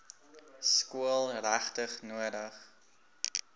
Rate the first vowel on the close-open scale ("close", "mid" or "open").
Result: close